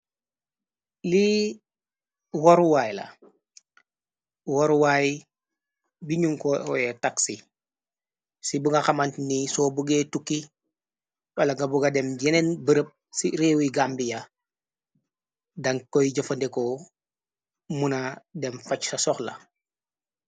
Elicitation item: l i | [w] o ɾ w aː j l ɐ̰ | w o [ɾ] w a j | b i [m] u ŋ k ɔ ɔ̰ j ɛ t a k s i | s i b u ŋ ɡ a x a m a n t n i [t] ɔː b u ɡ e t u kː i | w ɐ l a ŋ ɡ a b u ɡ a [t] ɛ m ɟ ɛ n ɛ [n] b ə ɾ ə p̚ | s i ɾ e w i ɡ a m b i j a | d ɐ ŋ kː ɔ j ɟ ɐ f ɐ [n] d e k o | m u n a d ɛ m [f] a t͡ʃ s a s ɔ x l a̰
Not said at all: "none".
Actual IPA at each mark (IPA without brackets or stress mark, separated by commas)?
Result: w, ɾ, ɲ, s, d, n, n, f